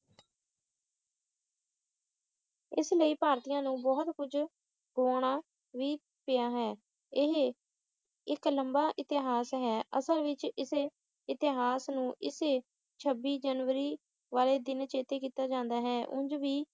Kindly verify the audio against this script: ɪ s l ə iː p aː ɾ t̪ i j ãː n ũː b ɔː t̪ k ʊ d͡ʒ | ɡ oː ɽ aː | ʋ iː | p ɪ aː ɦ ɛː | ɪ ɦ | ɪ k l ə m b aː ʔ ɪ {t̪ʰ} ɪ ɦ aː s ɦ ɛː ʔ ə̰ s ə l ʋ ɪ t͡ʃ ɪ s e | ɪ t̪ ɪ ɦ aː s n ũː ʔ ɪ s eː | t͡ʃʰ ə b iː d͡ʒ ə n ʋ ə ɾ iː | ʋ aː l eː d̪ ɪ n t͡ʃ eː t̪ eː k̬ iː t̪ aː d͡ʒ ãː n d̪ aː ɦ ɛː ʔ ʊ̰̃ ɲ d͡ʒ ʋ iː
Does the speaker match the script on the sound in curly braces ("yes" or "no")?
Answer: no